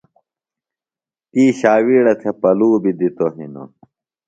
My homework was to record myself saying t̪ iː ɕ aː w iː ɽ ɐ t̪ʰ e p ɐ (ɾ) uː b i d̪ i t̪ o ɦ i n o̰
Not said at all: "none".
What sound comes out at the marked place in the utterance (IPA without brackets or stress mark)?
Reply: l